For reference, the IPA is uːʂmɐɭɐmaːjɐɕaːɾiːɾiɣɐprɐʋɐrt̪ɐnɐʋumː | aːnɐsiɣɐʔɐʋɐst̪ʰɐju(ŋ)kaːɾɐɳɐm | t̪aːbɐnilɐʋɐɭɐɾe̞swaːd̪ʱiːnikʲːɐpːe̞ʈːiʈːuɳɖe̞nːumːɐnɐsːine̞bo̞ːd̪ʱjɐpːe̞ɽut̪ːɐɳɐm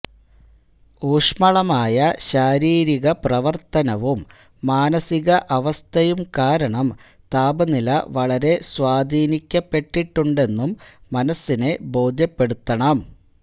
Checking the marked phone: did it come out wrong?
yes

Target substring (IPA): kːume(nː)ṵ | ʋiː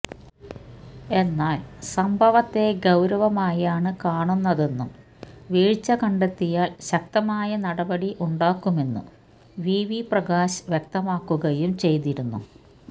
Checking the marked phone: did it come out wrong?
no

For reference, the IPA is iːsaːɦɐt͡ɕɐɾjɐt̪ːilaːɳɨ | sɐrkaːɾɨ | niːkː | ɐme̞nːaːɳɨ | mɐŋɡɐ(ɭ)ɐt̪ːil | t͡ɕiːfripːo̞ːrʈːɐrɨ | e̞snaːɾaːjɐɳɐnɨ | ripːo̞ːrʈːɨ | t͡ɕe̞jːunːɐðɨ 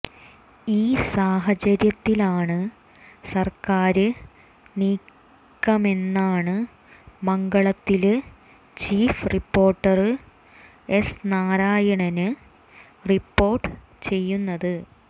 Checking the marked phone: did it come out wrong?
no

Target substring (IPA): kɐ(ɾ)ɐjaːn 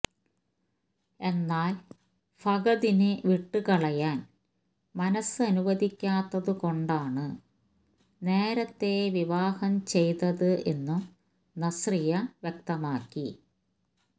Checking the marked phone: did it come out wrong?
yes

